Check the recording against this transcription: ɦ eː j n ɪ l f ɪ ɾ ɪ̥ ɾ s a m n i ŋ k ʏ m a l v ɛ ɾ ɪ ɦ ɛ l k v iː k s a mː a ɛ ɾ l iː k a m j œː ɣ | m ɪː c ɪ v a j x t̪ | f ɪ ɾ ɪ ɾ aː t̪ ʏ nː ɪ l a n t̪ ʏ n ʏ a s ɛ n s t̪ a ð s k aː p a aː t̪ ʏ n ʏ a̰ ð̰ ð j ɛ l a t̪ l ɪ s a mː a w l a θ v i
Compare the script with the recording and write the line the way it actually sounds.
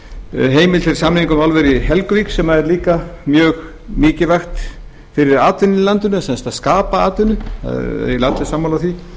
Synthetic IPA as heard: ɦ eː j m ɪ l f ɪ ɾ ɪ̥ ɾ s a m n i ŋ k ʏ m a l v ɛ ɾ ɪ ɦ ɛ l k v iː k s ɛ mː a ɛ ɾ l iː k a m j œː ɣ | m ɪː c ɪ v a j x t̪ | f ɪ ɾ ɪ ɾ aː t̪ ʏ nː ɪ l a n t̪ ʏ n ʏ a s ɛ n s t̪ a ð s k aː p a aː t̪ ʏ n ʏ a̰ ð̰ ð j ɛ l a t̪ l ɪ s a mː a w l a θ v i

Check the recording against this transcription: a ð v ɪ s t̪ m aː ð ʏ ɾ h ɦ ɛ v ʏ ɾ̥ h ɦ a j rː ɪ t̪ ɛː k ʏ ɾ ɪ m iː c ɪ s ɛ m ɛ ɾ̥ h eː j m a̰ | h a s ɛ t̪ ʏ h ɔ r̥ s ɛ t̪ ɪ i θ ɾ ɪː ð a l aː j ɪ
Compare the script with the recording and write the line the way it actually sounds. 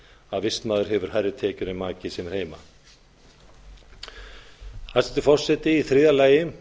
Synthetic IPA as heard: a ð v ɪ s t̪ m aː ð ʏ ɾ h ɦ ɛ v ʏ ɾ̥ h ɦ a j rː ɪ t̪ʰ ɛː c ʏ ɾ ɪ m aː c ɪ s ɛ m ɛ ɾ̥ h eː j m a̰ | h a s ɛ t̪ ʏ f ɔ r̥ s ɛ t̪ ɪ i θ ɾ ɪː ð a l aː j ɪ

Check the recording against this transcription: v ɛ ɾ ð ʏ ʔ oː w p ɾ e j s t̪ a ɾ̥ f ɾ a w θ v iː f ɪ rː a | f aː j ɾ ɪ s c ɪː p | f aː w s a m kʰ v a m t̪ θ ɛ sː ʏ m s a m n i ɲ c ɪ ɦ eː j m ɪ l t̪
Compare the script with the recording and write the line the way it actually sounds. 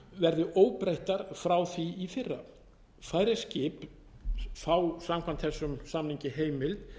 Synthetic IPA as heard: v ɛ ɾ ð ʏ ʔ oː w p ɾ e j h t̪ a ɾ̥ f ɾ a w θ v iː f ɪ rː a | f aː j ɾ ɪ s c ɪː p | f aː w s a m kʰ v a n t̪ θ ɛ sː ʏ m s a m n i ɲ c ɪ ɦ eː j m ɪ l t̪

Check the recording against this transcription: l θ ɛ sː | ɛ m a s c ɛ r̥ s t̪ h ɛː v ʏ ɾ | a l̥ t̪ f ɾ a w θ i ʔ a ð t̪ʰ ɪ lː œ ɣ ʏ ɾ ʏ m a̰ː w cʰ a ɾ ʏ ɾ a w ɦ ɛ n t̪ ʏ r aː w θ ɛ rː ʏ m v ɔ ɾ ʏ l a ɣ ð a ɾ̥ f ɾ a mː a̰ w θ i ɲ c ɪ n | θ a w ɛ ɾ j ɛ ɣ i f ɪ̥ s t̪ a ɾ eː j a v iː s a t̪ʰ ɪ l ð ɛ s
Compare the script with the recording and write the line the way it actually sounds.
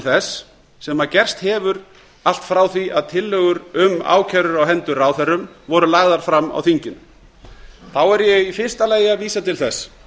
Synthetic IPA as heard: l θ ɛ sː | ɛ m a c ɛ r̥ s t̪ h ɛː v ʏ ɾ | a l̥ t̪ f ɾ a w θ i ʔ a ð t̪ʰ ɪ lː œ ɣ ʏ ɾ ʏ m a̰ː w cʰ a ɾ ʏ ɾ a w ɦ ɛ n t̪ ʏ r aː w θ ɛ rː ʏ m v ɔ ɾ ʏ l a ɣ ð a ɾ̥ f ɾ a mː a̰ w θ i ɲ c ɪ n | θ a w ɛ ɾ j ɛ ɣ i f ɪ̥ s t̪ a l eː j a v iː s a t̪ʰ ɪ l θ ɛ s

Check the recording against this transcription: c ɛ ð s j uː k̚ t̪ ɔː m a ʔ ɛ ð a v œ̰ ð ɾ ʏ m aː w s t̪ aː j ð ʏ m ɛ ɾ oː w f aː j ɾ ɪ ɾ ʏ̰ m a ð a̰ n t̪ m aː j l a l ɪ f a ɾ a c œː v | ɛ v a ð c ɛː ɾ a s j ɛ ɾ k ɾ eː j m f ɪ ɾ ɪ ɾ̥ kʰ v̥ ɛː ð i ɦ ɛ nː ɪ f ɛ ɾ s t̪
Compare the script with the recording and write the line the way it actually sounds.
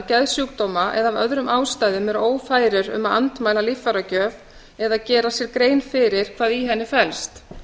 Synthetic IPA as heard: c ɛ ð s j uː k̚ t̪ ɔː m a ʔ ɛ ð a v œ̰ ð ɾ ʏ m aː w s t̪ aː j ð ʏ m ɛ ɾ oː w f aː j ɾ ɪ ɾ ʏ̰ m a ð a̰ n t̪ m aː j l a l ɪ f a ɾ a c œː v | ɛ ð a ð c ɛː ɾ a s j ɛ ɾ k ɾ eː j n f ɪ ɾ ɪ ɾ̥ kʰ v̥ aː ð i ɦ ɛ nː ɪ f ɛ l s t̪

